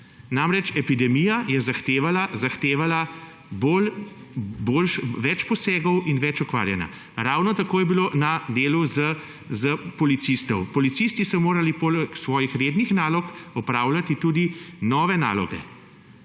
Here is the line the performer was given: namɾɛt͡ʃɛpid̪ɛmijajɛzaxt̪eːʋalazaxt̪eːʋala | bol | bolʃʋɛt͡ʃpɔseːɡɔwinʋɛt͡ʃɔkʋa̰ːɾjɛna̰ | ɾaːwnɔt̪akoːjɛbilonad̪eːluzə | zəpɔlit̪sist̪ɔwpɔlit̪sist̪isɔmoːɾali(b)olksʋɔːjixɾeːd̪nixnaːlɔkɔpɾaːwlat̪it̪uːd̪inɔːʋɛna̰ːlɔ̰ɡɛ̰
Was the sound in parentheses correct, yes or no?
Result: no